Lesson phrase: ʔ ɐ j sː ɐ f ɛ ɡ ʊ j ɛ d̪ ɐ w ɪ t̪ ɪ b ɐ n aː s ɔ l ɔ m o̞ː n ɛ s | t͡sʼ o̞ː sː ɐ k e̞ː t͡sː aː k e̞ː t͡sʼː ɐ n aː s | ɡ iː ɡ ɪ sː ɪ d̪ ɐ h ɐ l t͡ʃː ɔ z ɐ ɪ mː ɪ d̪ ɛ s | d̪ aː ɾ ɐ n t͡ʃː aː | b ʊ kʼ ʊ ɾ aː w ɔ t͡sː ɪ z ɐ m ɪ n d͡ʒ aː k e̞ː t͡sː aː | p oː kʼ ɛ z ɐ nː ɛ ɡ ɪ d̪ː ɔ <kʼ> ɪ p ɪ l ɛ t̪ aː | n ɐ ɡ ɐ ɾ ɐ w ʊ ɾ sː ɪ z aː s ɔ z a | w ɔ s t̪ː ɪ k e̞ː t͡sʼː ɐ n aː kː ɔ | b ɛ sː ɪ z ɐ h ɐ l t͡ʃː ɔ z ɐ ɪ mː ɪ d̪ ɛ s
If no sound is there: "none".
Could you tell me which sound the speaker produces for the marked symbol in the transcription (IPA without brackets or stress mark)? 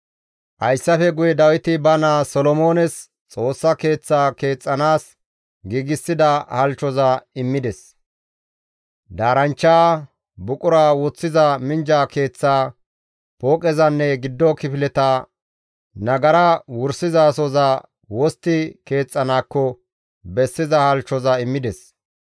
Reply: k